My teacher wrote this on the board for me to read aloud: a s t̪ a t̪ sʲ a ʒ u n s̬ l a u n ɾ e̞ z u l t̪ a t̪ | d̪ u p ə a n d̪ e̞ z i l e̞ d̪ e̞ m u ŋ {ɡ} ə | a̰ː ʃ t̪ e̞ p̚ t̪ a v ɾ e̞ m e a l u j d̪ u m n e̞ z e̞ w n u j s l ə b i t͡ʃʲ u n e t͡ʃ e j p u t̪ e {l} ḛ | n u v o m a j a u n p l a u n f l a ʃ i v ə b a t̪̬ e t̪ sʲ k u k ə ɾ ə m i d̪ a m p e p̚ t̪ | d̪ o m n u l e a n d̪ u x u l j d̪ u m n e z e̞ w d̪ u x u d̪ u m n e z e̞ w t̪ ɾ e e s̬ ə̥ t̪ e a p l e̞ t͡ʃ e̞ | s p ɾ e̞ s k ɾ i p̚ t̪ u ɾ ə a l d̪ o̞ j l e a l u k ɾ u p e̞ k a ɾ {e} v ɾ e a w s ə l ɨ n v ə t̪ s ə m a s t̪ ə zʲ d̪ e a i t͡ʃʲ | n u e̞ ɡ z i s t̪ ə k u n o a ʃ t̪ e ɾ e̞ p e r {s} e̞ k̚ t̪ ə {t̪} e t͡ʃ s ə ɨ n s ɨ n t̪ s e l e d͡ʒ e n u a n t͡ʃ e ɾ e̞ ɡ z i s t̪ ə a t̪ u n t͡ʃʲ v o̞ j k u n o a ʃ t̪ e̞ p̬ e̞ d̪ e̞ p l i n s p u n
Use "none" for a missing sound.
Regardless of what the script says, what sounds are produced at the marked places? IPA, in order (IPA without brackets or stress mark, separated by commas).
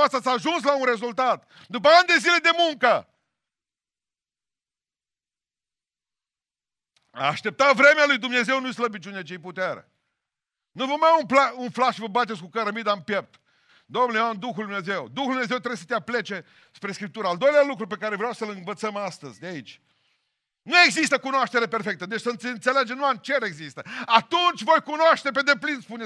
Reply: k, ɾ, e, f, d̪